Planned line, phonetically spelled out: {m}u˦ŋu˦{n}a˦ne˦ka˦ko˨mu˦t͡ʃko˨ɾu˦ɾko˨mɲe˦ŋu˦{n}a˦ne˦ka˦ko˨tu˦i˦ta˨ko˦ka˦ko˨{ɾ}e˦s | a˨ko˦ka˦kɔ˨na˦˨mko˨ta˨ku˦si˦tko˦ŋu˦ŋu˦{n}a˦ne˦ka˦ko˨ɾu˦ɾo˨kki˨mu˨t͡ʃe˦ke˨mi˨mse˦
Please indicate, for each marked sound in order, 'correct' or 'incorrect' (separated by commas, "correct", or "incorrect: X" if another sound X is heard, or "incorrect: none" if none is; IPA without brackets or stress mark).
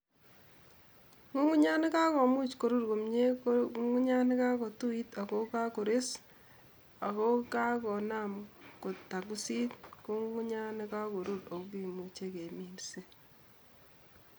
incorrect: ŋ, incorrect: ɲ, incorrect: ɲ, correct, incorrect: ɲ